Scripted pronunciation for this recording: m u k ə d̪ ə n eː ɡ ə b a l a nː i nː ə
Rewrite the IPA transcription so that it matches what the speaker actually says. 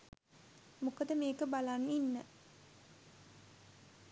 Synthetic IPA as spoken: m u k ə d̪ ə m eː k ə b a l a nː i nː ə

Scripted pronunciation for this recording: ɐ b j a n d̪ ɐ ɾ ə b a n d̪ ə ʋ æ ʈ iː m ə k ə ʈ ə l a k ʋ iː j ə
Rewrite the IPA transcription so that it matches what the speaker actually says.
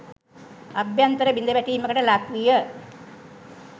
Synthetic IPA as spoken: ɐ b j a n t̪ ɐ ɾ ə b i n d̪ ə ʋ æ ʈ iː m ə k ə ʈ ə l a k ʋ i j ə

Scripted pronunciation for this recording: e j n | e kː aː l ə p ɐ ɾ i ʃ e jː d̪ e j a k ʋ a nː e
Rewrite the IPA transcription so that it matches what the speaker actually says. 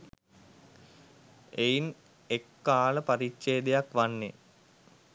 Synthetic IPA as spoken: e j n | e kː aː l ə p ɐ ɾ i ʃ e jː d̪ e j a k ʋ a nː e

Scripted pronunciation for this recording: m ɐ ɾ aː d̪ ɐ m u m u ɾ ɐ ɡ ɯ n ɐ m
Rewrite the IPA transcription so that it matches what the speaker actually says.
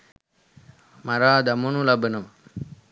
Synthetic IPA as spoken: m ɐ ɾ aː d̪ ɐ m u n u l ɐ b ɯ n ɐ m

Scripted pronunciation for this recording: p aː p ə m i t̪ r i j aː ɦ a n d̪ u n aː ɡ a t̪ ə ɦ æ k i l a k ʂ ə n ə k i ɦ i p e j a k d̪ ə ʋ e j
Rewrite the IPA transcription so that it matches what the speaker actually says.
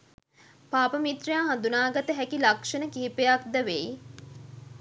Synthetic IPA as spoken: p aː p ə m i t̪ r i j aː ɦ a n d̪ u n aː ɡ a t̪ ə ɦ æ k i l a k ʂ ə n ə k i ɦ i p e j a k d̪ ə ʋ e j

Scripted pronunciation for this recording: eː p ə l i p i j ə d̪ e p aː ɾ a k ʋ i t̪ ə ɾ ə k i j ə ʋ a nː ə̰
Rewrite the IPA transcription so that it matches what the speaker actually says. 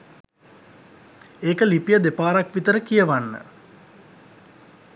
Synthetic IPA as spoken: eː k ə l i p i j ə d̪ e p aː ɾ a k ʋ i t̪ ə ɾ ə k i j ə ʋ a nː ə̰

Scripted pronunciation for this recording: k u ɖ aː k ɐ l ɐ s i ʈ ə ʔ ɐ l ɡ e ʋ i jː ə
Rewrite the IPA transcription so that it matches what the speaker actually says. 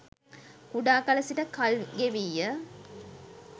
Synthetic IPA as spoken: k u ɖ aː k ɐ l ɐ s i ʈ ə k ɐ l ɡ e ʋ i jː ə

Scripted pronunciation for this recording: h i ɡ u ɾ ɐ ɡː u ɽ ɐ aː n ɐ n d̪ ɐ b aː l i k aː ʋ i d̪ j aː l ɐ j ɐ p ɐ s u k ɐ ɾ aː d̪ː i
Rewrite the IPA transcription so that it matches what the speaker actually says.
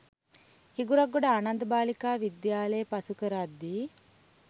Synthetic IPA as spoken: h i ɡ u ɾ ɐ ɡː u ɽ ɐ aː n ɐ n d̪ ɐ b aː l i k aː ʋ i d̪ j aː l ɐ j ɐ p ɐ s u k ɐ ɾ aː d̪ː i

